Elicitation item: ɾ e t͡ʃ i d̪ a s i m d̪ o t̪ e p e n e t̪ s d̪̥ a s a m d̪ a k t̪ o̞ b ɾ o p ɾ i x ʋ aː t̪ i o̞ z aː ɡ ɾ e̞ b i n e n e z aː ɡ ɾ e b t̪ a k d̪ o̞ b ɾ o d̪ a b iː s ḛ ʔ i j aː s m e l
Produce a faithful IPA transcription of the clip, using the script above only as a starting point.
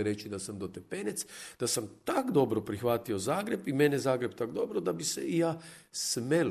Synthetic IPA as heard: ɾ e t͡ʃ i d̪ a s a m d̪ o t̪ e p e n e t̪ s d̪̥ a s a m t̪ a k d̪ o̞ b ɾ o p ɾ i x ʋ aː t̪ i o̞ z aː ɡ ɾ e̞ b i m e n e z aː ɡ ɾ e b t̪ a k d̪ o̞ b ɾ o d̪ a b i s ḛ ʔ i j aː s m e l